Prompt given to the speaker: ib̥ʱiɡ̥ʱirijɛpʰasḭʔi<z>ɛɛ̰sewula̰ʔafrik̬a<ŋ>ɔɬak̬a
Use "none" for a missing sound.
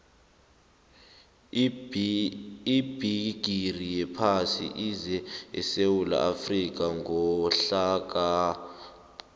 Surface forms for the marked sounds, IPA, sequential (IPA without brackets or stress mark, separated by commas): z, ŋ